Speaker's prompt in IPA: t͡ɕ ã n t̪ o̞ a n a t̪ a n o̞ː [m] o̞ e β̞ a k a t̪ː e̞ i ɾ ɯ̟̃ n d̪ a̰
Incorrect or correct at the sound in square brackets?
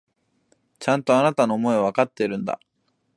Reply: correct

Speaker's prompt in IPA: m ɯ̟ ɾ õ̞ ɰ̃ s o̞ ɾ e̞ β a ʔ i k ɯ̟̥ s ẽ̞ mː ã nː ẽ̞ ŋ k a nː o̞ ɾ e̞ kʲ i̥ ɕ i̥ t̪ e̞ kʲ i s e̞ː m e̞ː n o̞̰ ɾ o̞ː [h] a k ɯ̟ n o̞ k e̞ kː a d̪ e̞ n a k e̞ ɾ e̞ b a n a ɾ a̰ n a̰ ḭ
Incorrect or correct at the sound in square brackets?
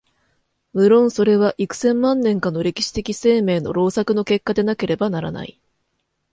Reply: incorrect: s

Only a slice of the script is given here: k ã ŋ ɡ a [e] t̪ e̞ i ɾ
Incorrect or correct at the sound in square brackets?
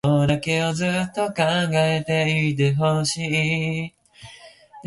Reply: correct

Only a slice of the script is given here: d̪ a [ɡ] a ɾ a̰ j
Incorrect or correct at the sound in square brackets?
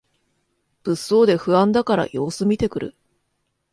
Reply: incorrect: k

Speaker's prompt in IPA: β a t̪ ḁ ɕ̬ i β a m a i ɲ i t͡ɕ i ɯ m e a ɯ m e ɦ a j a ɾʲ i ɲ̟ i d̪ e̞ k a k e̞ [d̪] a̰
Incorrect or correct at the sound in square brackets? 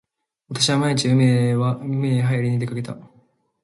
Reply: incorrect: t̪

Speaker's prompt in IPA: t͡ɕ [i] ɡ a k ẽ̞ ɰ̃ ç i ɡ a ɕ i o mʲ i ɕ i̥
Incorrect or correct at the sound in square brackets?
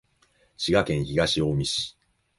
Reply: correct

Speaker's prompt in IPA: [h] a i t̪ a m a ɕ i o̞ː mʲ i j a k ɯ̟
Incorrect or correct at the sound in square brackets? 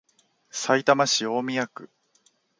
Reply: incorrect: s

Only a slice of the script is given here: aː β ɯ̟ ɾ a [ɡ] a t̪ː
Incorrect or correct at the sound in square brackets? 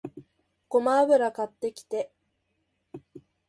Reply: incorrect: k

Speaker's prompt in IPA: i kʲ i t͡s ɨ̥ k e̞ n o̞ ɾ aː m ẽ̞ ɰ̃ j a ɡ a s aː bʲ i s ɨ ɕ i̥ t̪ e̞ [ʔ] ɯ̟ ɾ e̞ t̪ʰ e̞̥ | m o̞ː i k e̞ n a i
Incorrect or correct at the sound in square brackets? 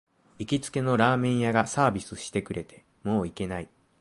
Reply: incorrect: k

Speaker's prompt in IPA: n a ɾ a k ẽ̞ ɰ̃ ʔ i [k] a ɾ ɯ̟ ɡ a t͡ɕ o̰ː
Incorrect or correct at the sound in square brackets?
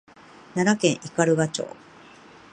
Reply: correct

